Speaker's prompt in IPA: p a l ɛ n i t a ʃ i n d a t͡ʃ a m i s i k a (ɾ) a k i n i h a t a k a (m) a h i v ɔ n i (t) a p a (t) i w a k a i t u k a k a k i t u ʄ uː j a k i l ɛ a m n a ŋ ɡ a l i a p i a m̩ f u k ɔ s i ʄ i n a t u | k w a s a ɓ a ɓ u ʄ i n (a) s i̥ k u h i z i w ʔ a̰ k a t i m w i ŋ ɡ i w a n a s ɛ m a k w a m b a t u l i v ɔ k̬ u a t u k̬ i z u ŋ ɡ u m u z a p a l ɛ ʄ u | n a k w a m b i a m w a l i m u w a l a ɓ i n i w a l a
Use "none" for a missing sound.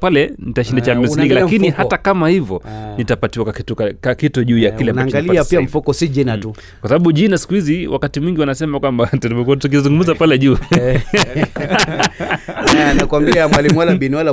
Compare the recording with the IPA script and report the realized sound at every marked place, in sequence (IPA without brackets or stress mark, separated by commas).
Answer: l, m, t, t, a